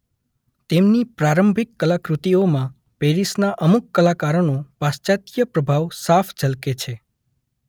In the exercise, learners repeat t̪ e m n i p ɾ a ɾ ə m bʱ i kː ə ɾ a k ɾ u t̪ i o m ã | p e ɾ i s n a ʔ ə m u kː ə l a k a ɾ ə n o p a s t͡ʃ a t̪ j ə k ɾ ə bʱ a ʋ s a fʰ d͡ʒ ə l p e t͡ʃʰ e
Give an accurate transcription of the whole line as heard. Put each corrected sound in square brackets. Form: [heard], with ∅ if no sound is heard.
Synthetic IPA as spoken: t̪ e m n i p ɾ a ɾ ə m bʱ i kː ə [l] a k ɾ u t̪ i o m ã | p e ɾ i s n a ʔ ə m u kː ə l a k a ɾ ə n o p a s t͡ʃ a t̪ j ə [p] ɾ ə bʱ a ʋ s a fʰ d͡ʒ ə l [k] e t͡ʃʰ e